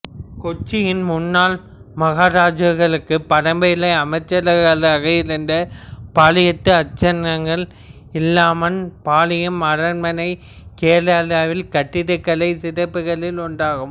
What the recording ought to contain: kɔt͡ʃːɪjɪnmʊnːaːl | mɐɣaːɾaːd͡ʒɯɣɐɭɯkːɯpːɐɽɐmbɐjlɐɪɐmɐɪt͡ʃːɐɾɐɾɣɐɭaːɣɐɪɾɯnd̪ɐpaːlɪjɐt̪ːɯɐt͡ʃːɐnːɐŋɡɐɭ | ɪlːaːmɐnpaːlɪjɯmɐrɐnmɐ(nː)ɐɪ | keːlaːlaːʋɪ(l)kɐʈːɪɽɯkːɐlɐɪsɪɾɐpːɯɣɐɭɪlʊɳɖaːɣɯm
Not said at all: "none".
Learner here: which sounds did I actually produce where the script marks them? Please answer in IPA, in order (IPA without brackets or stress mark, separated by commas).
n, l